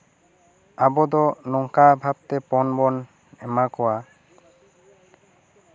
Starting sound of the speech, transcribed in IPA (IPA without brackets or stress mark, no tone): a